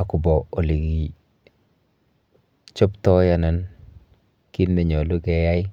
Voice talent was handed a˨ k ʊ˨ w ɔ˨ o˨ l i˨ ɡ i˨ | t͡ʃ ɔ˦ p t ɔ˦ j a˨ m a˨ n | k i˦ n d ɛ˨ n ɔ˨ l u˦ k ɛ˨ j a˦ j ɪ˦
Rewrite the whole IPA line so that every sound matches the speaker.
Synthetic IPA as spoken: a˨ k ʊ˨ b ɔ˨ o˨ l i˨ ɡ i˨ | t͡ʃ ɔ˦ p t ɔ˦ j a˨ n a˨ n | k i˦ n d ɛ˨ ɲ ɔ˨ l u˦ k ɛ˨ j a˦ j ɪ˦